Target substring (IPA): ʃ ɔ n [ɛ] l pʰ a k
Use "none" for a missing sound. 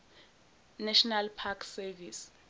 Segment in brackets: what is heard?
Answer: a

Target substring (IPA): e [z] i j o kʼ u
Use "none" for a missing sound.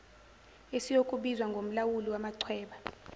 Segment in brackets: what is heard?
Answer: s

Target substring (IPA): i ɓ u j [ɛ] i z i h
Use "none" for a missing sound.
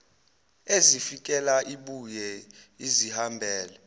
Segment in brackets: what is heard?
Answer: ɛ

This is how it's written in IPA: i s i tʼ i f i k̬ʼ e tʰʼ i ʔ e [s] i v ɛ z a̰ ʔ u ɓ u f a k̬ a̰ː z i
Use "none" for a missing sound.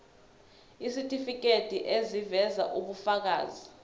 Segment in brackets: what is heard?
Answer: z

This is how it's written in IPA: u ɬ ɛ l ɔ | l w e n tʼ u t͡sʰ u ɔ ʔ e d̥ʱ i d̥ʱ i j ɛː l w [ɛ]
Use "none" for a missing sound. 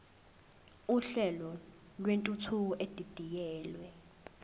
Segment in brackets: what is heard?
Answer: ɛ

